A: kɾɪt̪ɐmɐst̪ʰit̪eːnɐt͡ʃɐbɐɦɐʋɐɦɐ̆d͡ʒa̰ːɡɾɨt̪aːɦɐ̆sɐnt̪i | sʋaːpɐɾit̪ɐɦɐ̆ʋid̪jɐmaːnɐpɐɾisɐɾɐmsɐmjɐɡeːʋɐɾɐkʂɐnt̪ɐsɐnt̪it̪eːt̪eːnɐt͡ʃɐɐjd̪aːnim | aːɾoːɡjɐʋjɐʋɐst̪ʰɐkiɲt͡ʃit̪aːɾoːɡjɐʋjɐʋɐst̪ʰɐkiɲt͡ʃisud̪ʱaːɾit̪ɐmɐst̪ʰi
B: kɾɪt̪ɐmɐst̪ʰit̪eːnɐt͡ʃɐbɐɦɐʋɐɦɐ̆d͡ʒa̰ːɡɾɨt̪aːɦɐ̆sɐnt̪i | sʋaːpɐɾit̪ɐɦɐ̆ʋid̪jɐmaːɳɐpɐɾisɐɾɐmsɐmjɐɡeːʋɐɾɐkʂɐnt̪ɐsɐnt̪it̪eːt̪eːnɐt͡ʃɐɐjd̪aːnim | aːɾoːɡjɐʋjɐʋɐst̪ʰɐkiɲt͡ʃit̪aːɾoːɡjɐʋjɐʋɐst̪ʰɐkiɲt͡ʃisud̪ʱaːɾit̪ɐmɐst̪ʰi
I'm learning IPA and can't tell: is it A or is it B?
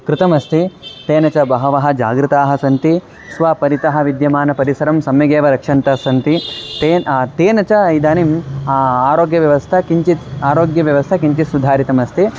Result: A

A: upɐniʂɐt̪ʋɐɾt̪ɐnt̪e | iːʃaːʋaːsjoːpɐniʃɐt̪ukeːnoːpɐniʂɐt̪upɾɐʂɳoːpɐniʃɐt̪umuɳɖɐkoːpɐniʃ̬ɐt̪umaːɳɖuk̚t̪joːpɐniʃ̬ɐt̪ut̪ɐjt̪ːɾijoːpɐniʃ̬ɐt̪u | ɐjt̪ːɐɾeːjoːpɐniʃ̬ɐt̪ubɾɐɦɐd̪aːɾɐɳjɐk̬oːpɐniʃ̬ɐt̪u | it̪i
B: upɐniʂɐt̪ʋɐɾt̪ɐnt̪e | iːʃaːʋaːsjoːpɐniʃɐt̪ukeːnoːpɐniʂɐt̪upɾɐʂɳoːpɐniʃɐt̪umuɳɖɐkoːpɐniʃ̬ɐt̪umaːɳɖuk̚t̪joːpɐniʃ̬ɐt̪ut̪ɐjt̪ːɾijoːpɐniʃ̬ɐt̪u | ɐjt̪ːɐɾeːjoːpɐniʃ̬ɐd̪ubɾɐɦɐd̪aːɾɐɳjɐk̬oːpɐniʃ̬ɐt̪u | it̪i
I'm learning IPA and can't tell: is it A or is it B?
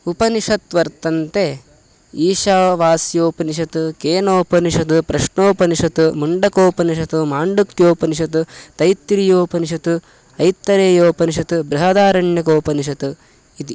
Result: A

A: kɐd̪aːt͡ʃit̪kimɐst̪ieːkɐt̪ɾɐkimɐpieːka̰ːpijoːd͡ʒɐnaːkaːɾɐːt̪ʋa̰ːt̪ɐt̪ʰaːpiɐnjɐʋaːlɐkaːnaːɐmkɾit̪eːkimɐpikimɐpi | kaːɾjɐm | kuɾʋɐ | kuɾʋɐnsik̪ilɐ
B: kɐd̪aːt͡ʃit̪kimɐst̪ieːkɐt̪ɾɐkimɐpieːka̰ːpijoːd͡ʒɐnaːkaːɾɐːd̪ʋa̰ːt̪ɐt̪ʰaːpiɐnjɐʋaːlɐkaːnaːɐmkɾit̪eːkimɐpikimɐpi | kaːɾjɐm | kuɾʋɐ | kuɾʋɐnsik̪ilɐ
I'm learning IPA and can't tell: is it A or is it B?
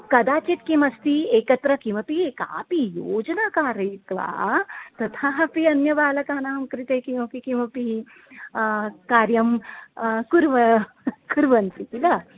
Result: A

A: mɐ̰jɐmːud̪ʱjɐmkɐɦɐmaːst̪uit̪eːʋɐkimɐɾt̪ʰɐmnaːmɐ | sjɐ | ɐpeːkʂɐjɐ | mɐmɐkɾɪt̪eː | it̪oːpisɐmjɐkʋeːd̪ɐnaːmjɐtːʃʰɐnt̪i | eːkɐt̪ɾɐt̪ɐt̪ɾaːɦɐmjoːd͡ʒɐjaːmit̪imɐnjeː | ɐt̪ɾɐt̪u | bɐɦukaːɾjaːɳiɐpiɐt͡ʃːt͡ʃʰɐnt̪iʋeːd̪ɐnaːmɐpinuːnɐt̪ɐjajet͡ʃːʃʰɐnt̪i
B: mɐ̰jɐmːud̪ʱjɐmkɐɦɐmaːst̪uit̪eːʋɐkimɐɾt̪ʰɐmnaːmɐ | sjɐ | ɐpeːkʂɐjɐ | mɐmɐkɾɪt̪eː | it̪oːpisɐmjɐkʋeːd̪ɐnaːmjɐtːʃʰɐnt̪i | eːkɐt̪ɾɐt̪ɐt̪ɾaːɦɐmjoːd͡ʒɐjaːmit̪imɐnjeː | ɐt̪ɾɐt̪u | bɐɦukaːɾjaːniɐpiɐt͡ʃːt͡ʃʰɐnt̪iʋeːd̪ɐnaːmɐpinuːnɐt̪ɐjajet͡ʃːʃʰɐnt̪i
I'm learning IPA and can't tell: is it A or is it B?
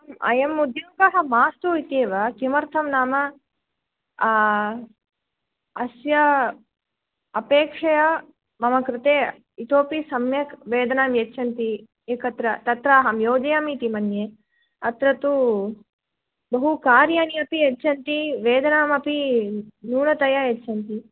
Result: B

